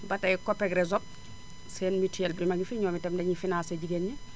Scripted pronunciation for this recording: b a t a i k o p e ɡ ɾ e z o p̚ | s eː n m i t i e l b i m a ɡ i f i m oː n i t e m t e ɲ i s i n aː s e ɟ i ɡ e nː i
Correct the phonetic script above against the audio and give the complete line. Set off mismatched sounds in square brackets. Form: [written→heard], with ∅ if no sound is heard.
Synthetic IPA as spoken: b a t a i k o p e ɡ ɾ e z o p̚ | s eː n m i t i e l b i m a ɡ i f i [m→ɲ] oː [n→m] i t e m [t→d] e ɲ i [s→f] i n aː s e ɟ i ɡ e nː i